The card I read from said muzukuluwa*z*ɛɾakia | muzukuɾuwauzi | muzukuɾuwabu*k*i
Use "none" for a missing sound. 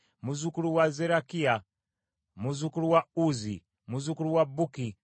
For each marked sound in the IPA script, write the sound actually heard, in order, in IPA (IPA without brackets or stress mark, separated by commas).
z, k